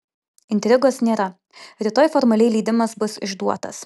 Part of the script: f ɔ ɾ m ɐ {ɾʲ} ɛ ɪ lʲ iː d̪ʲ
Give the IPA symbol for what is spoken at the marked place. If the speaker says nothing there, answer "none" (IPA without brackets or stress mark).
lʲ